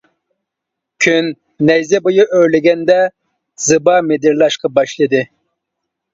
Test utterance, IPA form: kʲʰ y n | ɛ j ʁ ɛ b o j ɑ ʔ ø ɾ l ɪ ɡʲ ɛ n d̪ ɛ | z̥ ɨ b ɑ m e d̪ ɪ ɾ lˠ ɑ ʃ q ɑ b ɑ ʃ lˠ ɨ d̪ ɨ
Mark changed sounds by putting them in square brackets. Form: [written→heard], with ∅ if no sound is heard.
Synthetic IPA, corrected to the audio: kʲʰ y [n→nː] | ɛ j [ʁ→z] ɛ b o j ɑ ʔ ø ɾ l ɪ ɡʲ ɛ n d̪ ɛ | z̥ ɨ b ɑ m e d̪ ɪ ɾ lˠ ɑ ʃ q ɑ b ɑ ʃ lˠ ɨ d̪ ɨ